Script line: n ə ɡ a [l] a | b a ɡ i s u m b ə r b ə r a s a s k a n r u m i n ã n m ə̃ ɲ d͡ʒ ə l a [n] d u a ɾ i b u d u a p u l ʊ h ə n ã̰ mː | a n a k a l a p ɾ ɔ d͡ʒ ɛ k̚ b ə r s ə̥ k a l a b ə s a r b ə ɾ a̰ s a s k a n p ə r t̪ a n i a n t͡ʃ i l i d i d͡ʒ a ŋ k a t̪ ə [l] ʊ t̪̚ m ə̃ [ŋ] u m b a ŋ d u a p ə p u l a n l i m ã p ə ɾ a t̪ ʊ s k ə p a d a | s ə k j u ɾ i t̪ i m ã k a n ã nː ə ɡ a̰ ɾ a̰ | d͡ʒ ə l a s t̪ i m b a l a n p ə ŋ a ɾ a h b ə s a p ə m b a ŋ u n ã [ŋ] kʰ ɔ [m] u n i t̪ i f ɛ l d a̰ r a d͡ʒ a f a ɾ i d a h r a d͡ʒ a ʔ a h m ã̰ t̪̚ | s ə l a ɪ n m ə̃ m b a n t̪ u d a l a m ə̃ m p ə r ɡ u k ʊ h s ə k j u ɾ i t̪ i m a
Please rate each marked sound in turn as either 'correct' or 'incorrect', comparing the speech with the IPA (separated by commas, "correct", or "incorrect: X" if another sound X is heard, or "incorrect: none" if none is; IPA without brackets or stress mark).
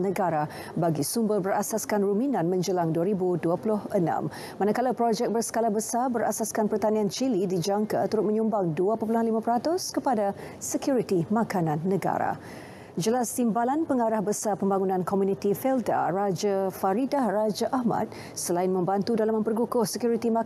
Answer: incorrect: ɾ, incorrect: ŋ, incorrect: ɾ, incorrect: ɲ, incorrect: n, correct